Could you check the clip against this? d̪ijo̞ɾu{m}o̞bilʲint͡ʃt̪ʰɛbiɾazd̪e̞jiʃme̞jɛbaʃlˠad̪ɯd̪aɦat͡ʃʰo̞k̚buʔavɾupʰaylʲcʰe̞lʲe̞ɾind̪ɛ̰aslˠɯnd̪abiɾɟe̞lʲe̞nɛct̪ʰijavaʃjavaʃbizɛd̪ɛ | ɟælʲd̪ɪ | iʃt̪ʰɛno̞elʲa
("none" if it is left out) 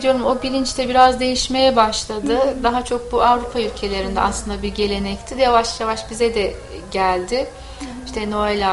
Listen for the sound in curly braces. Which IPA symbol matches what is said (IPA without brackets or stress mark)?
m